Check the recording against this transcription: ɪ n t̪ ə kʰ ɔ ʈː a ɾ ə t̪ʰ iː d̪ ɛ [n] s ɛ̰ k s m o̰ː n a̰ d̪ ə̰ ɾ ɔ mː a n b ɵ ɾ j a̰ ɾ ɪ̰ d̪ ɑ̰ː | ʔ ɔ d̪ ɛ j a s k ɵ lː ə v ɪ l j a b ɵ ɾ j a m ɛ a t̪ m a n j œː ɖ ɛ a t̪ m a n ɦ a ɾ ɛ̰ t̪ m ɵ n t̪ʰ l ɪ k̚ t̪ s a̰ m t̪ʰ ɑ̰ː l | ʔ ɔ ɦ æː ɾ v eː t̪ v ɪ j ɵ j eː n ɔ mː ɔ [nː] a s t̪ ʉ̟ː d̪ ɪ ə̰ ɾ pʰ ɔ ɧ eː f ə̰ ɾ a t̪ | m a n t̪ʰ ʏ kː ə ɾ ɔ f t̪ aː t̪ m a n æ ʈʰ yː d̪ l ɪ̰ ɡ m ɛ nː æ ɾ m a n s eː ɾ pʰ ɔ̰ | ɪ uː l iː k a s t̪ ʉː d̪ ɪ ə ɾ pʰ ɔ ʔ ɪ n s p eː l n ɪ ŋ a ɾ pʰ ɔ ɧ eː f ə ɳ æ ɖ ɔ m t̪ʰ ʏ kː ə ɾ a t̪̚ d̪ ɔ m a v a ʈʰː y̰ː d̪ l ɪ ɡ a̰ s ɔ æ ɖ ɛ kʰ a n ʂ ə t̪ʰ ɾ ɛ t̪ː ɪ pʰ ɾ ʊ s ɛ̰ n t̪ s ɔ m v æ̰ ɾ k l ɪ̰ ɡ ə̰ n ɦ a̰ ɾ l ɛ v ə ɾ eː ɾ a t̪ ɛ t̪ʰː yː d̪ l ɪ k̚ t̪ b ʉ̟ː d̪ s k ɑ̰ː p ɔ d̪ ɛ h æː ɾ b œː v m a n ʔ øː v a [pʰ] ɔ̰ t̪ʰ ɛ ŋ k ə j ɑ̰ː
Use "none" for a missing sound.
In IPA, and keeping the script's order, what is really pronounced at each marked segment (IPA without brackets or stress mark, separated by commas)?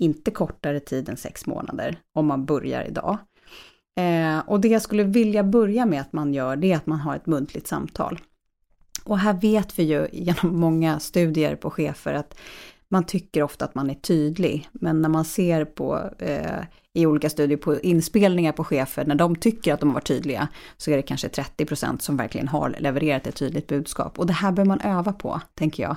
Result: n, ŋː, pʰ